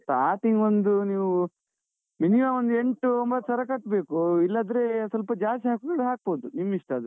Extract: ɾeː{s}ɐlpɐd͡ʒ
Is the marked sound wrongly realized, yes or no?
no